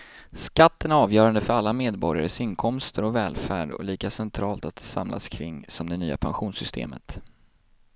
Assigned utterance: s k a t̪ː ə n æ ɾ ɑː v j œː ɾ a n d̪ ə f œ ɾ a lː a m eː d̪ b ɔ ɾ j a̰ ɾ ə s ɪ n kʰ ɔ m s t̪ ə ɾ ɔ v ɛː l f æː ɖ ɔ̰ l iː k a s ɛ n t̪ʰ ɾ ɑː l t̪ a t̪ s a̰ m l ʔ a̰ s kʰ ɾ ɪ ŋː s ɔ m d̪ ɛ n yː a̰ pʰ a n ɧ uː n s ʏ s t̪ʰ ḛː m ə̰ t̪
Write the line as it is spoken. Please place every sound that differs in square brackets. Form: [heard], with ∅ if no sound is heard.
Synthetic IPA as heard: s k a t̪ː ə n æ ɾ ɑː v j œː ɾ a n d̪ ə f œ ɾ a lː a m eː d̪ b ɔ ɾ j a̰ ɾ ə s ɪ n kʰ ɔ m s t̪ ə ɾ ɔ v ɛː l f æː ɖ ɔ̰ l iː k a s ɛ n t̪ʰ ɾ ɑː l t̪ a t̪ s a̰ m l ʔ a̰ s kʰ ɾ ɪ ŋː s ɔ m d̪ ɛ n yː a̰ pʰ a n ɧ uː n s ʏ s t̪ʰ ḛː m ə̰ t̪